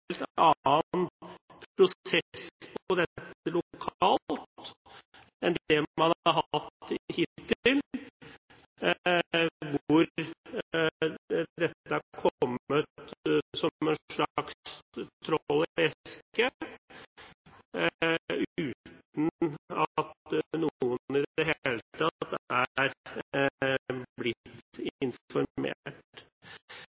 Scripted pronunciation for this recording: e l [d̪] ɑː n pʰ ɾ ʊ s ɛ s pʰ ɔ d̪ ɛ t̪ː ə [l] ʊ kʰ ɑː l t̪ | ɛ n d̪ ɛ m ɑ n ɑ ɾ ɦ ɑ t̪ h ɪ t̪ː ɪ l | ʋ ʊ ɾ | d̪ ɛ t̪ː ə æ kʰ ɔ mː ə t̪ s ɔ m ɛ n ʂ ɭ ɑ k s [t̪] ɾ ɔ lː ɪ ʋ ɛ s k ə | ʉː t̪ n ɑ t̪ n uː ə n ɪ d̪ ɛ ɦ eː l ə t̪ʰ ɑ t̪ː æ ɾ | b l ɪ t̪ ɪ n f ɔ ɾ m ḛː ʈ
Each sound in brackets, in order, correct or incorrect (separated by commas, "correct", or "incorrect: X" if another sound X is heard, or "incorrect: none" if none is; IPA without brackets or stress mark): incorrect: t̪, correct, incorrect: t̪ʰ